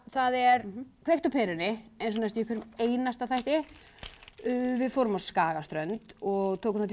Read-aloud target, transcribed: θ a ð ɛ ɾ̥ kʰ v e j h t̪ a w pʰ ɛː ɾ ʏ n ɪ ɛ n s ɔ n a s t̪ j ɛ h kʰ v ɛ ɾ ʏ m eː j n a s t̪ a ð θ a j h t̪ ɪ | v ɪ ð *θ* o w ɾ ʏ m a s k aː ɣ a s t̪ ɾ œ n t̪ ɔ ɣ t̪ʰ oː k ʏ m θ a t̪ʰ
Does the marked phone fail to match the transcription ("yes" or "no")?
yes